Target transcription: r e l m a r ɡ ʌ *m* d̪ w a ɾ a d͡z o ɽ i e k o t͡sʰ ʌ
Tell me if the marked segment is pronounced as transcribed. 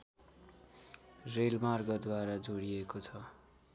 no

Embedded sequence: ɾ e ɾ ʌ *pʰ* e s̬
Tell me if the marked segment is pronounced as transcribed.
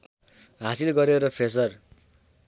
yes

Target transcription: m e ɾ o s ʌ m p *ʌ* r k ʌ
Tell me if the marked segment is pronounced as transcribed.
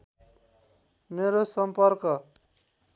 yes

